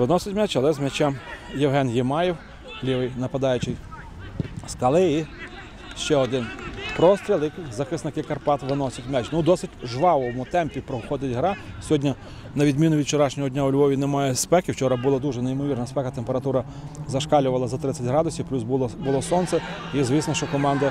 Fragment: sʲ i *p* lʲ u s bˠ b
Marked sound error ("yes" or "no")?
no